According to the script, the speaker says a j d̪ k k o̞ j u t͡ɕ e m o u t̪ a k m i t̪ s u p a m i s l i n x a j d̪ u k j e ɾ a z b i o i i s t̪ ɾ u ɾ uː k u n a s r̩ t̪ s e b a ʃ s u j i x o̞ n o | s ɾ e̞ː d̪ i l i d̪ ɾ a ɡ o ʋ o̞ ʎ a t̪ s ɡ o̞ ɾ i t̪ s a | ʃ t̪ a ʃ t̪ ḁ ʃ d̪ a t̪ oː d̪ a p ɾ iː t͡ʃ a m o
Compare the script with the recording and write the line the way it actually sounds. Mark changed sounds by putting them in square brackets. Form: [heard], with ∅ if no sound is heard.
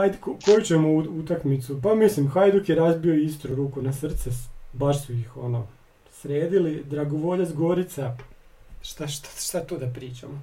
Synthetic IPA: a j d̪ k k o̞ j u t͡ɕ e m o u t̪ a k m i t̪ s u p a m i s l i [m] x a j d̪ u k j e ɾ a z b i o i i s t̪ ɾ u ɾ uː k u n a s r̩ t̪ s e b a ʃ s u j i x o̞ n o | s ɾ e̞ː d̪ i l i d̪ ɾ a ɡ o ʋ o̞ ʎ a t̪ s ɡ o̞ ɾ i t̪ s a | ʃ t̪ a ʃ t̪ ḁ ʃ [t̪] a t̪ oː d̪ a p ɾ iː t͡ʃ a m o